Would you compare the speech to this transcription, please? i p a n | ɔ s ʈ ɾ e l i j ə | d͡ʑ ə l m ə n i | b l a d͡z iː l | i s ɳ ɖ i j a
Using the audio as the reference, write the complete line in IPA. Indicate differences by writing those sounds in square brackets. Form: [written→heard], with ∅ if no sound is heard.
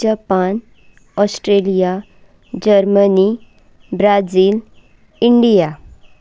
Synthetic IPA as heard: [i→a] p a n | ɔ s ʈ ɾ e l i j [ə→a] | d͡ʑ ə [l→ɾ] m ə n i | b [l→ɾ] a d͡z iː l | i [s→∅] ɳ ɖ i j a